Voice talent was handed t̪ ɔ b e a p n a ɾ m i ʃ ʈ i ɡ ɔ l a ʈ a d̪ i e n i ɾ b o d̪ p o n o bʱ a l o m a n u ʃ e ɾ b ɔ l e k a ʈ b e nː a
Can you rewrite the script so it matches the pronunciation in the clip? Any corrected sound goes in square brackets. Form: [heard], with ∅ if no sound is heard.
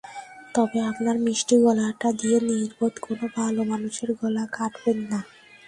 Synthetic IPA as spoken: t̪ ɔ b e a p n a ɾ m i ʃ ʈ i ɡ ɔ l a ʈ a d̪ i e n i ɾ b o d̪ [k] o n o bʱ a l o m a n u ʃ e ɾ [ɡ] ɔ l [a] k a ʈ b e nː a